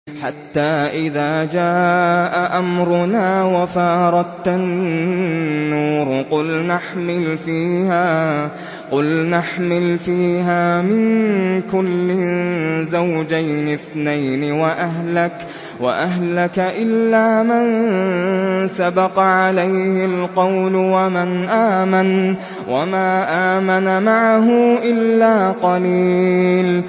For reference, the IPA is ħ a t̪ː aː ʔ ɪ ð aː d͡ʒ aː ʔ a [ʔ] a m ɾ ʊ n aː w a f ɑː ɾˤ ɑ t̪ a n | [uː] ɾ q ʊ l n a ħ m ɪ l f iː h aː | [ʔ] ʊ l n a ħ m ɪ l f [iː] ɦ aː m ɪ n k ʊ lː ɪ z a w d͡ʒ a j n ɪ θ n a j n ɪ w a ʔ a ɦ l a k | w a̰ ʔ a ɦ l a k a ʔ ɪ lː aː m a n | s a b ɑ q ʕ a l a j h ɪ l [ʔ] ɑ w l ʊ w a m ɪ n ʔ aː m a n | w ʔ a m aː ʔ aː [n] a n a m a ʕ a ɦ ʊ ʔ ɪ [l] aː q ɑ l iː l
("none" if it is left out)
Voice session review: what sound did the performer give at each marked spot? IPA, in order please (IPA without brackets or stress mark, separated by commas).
ʔ, uː, q, iː, q, m, lː